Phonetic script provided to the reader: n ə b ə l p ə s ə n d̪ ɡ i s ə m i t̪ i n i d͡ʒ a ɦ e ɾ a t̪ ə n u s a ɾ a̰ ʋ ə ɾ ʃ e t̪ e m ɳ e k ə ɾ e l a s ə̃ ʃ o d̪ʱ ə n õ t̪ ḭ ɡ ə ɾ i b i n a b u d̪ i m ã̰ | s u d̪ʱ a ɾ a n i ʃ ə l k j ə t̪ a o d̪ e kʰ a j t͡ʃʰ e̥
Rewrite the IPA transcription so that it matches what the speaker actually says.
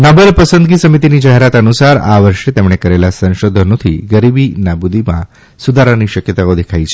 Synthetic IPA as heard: n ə b ə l p ə s ə n d̪ ɡ i s ə m i t̪ i n i d͡ʒ a ɦ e ɾ a t̪ ə n u s a ɾ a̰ ʋ ə ɾ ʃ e t̪ e m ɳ e k ə ɾ e l a s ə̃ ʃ o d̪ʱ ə n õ t̪ʰ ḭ ɡ ə ɾ i b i n a b u d̪ i m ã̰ | s u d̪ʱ a ɾ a n i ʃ ə k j ə t̪ a o d̪ e kʰ a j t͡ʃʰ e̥